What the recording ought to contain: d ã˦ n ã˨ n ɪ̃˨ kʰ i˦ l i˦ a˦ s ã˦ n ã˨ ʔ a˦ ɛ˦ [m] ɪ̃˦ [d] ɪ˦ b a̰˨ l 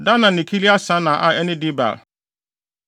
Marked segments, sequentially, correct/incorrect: incorrect: n, correct

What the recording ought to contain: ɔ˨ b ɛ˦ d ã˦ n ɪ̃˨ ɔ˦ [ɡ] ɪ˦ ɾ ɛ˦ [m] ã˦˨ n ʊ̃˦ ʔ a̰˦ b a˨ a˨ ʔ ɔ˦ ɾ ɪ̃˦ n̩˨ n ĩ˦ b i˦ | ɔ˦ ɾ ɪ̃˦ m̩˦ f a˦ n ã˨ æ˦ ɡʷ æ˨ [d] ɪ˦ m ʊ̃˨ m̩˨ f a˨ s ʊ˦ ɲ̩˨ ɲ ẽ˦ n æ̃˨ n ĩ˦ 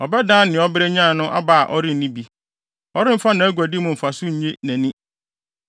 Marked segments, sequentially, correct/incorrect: incorrect: b, incorrect: ɲ, correct

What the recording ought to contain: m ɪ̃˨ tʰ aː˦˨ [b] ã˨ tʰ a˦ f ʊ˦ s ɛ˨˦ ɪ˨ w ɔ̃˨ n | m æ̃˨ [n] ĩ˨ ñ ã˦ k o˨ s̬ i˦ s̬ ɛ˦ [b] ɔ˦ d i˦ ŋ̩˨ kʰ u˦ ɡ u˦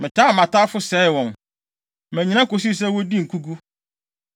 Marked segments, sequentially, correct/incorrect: incorrect: m, incorrect: ɲ, incorrect: w

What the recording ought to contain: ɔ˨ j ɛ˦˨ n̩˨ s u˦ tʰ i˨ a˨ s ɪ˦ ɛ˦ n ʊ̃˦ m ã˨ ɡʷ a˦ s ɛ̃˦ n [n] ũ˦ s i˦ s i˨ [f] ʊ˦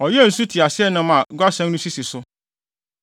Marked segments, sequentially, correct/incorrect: correct, incorrect: s

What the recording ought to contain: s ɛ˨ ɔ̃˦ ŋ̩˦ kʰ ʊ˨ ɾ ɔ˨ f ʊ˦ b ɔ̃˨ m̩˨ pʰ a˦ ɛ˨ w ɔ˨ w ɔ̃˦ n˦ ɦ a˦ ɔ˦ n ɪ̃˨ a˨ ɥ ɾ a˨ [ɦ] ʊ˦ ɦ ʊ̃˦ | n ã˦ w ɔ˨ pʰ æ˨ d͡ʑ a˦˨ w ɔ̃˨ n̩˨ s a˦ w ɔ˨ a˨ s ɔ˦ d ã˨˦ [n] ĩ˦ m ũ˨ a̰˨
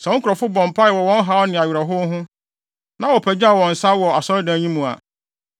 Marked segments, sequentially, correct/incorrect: correct, incorrect: ɲ

